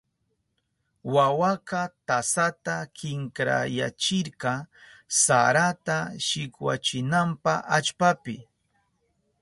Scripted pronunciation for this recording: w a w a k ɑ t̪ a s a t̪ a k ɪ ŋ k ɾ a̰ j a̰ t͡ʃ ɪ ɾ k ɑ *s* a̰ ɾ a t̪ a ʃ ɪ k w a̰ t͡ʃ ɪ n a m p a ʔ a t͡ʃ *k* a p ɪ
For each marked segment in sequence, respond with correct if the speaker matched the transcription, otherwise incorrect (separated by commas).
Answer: correct, incorrect